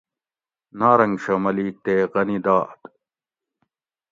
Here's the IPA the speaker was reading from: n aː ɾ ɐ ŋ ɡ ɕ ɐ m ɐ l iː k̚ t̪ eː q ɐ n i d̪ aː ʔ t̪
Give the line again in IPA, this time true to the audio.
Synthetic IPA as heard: n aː ɾ ɐ ŋ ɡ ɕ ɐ m ɐ l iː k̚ t̪ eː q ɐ n i d̪ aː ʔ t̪